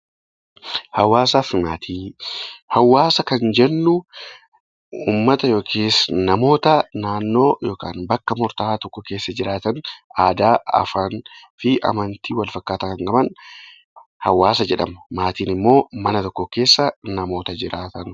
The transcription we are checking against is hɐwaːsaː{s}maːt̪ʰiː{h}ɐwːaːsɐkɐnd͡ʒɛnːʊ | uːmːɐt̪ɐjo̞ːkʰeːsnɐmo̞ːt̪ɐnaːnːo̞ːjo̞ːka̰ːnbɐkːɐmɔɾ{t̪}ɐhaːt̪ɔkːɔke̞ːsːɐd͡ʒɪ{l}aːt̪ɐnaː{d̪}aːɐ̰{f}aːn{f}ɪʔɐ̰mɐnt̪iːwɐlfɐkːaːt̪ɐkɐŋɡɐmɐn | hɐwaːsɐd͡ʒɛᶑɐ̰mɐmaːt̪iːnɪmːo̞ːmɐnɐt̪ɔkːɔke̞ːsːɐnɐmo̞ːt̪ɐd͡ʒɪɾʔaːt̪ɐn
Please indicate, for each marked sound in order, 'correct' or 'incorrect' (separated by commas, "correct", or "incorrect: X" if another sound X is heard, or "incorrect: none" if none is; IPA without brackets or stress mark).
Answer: incorrect: f, correct, correct, incorrect: ɾ, correct, correct, correct